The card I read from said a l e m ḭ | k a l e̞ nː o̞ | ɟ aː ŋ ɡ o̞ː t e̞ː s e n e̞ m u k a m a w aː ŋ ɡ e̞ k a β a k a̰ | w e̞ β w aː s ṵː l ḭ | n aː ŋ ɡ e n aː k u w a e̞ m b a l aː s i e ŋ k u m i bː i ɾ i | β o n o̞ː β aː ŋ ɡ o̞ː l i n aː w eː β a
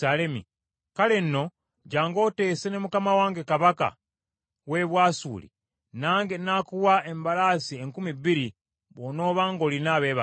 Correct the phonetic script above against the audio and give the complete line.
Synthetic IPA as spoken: a l e m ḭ | k a l e̞ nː o̞ | ɟ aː ŋ ɡ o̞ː t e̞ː s e n e̞ m u k a m a w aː ŋ ɡ e̞ k a β a k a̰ | w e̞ β w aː s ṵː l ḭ | n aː ŋ ɡ e n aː k u w a e̞ m b a l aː s i e ŋ k u m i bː i ɾ i | β o n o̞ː β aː ŋ ɡ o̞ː l i n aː β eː β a